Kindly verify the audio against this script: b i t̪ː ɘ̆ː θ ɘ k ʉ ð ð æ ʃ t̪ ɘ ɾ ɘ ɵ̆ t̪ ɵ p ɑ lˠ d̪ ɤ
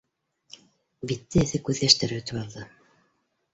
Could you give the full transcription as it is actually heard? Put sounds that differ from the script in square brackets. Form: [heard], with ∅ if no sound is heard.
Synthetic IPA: b i t̪ː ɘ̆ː θ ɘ k ʉ ð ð æ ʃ t̪ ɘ ɾ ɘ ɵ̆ t̪ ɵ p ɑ lˠ d̪ ɤ